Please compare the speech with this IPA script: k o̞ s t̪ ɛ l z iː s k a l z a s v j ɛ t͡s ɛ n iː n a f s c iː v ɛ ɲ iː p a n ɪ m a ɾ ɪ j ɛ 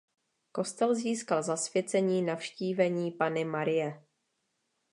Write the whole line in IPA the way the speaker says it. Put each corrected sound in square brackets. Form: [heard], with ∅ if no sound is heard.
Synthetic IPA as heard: k o̞ s t̪ ɛ l z iː s k a l z a s v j ɛ t͡s ɛ [ɲ] iː n a f [ʃ] c iː v ɛ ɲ iː p a n ɪ m a ɾ ɪ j ɛ